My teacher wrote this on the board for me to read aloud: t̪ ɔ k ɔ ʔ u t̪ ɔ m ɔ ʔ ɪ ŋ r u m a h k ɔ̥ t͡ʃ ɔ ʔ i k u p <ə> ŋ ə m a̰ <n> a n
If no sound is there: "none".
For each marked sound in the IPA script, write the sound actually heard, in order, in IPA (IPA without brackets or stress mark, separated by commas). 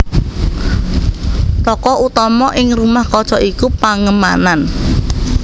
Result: a, n